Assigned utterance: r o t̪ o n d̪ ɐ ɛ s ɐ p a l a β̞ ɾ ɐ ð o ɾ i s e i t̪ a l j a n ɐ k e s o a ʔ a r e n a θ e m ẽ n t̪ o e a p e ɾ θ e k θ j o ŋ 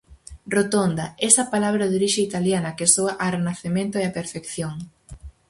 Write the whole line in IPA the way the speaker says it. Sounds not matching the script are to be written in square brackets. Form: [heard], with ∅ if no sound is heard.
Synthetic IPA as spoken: r o t̪ o n d̪ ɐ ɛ s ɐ p a l a β̞ ɾ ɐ ð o ɾ i [ʃ] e i t̪ a l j a n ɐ k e s o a ʔ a r e n a θ e m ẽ n t̪ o e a p e ɾ [f] e k θ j o ŋ